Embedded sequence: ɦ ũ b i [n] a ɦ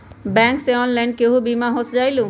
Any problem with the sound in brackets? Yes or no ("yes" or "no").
yes